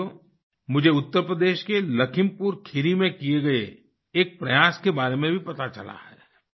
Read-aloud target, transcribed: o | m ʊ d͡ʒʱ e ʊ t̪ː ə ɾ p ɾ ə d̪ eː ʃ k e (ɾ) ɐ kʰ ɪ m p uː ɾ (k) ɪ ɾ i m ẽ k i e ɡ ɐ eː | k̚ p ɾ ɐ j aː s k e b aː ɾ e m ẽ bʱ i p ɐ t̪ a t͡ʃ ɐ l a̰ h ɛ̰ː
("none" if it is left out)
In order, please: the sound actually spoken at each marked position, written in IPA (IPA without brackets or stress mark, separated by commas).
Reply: l, kʰ